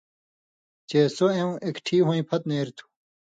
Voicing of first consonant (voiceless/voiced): voiceless